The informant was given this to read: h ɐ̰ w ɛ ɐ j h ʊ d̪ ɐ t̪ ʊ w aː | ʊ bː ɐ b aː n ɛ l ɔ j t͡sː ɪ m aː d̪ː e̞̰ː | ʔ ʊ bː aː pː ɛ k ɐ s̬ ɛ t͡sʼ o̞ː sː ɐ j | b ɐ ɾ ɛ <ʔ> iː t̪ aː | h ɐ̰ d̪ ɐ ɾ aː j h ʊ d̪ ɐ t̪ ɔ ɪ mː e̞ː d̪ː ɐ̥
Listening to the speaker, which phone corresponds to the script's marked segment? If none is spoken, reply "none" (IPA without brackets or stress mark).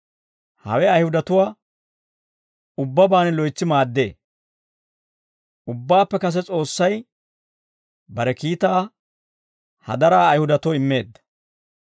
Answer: k